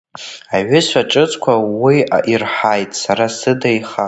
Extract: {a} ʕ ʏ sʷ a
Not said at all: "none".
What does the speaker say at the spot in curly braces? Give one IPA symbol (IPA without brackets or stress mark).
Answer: a